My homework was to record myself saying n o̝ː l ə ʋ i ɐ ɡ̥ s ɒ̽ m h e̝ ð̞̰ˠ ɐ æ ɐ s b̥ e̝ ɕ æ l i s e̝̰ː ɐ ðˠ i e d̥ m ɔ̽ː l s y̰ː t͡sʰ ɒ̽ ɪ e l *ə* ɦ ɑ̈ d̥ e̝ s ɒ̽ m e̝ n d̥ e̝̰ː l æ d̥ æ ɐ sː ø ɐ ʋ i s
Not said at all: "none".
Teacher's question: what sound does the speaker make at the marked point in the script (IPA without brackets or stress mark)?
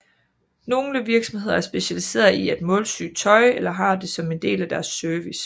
ɐ